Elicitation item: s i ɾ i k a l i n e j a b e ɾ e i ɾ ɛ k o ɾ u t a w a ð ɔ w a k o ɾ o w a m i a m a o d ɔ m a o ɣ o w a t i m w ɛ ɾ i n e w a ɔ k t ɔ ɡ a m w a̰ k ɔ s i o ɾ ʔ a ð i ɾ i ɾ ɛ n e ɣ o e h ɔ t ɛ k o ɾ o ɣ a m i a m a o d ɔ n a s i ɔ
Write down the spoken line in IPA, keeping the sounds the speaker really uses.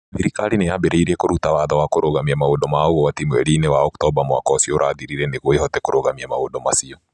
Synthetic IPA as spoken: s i ɾ i k a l i n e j a b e ɾ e i ɾ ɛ k o ɾ u t a w a ð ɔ w a k o ɾ o ɣ a m i a m a o d ɔ m a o ɣ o w a t i m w ɛ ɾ i n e w a ɔ k t ɔ b a m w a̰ k ɔ s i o ɾ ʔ a ð i ɾ i ɾ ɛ n e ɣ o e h ɔ t ɛ k o ɾ o ɣ a m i a m a o d ɔ m a s i ɔ